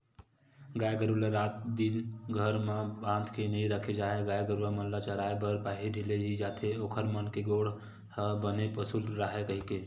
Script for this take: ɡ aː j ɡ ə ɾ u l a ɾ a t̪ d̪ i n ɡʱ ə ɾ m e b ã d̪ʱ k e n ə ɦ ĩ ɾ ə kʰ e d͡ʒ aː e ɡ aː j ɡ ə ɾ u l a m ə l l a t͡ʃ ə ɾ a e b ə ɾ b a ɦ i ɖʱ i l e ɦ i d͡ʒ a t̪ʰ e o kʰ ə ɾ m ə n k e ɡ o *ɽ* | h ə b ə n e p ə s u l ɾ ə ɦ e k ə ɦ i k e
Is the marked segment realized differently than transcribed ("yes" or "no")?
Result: no